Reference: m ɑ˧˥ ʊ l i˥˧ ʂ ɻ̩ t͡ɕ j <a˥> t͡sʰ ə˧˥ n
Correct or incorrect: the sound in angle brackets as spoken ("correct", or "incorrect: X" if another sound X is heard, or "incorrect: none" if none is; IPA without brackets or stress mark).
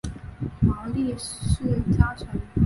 correct